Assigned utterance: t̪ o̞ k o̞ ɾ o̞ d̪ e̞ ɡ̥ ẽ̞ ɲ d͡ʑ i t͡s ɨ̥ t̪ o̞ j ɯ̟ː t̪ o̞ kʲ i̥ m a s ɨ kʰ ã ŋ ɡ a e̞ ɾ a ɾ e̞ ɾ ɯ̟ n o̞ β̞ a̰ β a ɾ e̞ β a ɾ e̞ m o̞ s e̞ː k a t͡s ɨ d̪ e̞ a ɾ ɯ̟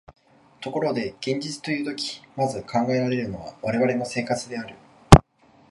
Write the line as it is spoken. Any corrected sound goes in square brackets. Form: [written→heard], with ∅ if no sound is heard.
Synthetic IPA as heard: t̪ o̞ k o̞ ɾ o̞ d̪ e̞ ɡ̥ ẽ̞ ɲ d͡ʑ i t͡s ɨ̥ t̪ o̞ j ɯ̟ː t̪ o̞ kʲ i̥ m a [s→z] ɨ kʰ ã ŋ ɡ a e̞ ɾ a ɾ e̞ ɾ ɯ̟ n o̞ β̞ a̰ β a ɾ e̞ β a ɾ e̞ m o̞ s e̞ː k a t͡s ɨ d̪ e̞ a ɾ ɯ̟